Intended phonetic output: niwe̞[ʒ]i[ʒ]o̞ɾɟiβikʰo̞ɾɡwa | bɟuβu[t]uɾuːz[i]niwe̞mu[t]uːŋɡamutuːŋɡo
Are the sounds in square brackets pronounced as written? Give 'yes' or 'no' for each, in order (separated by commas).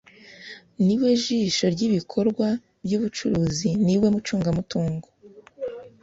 yes, no, no, yes, no